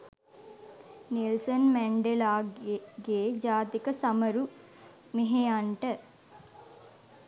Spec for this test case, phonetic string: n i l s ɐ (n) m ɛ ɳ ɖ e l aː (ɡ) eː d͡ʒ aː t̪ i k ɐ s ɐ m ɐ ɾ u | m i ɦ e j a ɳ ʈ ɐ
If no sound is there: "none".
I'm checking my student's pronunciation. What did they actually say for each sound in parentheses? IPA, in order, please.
n, ɡ

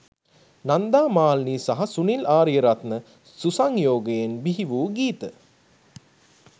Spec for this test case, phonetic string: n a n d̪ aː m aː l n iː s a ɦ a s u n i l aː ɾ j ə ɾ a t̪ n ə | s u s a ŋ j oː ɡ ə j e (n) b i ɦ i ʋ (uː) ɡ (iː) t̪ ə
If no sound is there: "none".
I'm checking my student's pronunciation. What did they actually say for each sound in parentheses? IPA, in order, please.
n, uː, iː

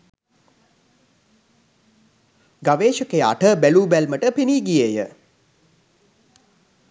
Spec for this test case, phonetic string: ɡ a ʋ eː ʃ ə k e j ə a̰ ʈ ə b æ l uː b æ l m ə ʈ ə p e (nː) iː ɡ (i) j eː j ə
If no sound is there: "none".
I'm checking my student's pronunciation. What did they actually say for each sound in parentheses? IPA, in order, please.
n, i

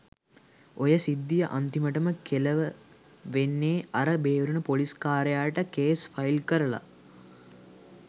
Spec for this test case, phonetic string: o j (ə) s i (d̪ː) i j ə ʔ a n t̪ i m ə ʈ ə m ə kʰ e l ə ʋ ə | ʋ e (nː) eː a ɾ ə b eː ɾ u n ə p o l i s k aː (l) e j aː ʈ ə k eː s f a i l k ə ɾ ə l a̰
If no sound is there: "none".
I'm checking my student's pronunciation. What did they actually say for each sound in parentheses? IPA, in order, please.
ə, d̪ː, nː, ɾ

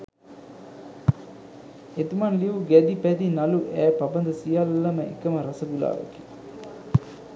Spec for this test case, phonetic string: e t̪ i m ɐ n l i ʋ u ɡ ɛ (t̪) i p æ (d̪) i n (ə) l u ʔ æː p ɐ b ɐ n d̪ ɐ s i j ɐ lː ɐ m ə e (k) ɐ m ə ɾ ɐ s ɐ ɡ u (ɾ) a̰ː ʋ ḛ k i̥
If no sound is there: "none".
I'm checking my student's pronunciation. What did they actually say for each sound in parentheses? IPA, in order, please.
d̪, d̪, ɐ, k, l

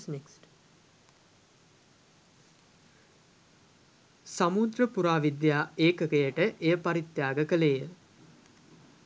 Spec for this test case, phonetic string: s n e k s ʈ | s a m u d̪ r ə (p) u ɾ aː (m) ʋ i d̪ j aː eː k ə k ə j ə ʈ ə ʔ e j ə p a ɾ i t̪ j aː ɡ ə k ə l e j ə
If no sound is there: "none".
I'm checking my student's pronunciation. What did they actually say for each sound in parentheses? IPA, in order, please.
p, none

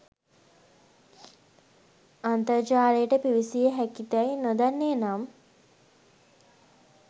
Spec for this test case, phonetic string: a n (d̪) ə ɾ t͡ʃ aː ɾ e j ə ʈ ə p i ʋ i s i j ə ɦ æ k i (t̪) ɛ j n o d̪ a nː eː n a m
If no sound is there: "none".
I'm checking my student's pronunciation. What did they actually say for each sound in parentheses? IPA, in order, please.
t̪, t̪

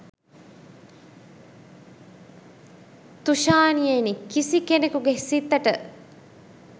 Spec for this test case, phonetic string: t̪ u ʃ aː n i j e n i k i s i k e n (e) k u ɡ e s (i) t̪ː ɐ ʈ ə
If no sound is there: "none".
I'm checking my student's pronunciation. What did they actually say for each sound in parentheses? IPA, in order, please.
e, i

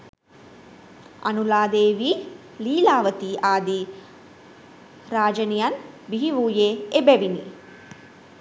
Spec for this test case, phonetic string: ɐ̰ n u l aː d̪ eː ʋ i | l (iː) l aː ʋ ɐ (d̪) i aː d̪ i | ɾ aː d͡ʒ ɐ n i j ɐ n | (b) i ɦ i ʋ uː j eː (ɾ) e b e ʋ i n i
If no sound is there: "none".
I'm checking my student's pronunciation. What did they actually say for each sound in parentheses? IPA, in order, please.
iː, t̪, b, none

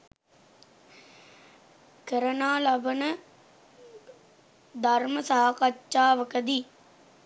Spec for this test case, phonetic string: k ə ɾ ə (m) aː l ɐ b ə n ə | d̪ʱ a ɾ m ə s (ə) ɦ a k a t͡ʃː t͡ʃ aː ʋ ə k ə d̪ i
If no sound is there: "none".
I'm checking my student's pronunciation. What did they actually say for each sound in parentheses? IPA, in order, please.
n, a

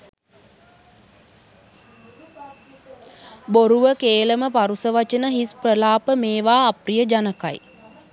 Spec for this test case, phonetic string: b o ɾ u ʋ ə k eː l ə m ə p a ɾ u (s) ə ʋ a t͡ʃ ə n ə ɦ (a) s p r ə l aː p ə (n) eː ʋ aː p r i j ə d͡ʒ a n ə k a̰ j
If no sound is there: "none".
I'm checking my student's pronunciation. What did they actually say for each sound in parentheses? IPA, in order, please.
s, i, m

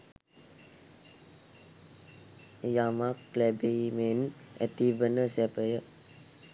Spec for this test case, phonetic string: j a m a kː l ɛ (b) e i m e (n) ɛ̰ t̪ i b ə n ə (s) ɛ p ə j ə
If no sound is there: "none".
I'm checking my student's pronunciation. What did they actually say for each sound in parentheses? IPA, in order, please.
b, n, s

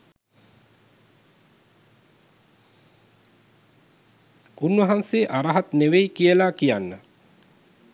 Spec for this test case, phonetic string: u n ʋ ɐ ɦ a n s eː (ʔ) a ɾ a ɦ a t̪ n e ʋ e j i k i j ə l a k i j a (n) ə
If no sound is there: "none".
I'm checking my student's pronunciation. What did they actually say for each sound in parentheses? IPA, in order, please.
ʔ, nː

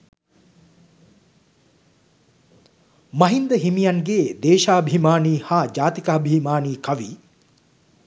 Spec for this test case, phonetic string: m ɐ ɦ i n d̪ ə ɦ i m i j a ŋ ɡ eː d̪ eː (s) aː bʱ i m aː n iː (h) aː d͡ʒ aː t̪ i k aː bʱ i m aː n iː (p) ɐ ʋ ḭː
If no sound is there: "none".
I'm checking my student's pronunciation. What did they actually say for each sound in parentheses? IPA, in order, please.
ʃ, h, k

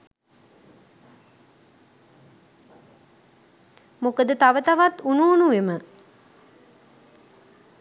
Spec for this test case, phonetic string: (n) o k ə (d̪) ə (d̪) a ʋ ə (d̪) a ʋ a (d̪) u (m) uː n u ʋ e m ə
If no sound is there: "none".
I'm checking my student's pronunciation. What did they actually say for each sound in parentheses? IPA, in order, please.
m, d̪, t̪, t̪, t̪, n

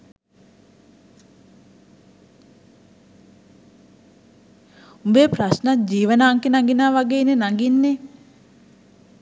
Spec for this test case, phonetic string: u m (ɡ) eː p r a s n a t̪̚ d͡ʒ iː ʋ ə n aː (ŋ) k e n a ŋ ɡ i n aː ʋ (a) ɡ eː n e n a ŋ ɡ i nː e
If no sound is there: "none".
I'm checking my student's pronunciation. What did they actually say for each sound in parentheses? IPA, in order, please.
b, ŋ, a

